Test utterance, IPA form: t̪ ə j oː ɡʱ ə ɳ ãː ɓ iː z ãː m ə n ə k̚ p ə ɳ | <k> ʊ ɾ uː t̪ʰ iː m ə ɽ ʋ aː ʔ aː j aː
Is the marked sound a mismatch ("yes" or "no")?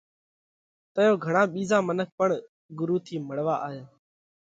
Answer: yes